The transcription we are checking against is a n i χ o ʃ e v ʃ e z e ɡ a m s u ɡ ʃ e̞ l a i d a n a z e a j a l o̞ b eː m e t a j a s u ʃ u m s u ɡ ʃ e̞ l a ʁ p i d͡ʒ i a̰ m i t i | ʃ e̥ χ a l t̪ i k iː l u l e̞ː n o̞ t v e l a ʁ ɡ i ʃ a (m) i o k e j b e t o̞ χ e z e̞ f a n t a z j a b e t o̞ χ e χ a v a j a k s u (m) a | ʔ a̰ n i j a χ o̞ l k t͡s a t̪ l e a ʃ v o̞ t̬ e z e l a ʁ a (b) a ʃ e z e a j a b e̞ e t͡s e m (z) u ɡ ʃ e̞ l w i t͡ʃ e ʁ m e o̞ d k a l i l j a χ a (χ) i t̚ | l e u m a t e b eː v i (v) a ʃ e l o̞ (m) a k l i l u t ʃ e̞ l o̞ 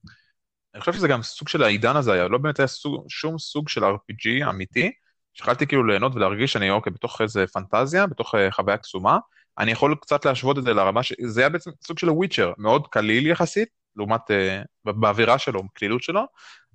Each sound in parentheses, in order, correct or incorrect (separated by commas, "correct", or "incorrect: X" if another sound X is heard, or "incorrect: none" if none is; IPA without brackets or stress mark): incorrect: n, correct, incorrect: m, incorrect: s, incorrect: s, incorrect: ʁ, correct